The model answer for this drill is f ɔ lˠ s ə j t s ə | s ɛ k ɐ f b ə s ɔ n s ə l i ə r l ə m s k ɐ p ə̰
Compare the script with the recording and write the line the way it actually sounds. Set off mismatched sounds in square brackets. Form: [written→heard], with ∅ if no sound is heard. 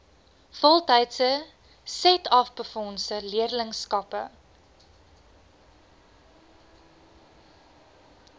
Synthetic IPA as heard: f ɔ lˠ [s→t] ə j t s ə | s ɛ [k→t] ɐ f b ə [s→f] ɔ n s ə l i ə r l ə [m→ŋ] s k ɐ p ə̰